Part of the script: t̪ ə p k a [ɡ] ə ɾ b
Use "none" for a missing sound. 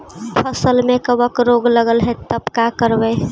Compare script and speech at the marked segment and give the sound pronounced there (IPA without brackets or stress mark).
k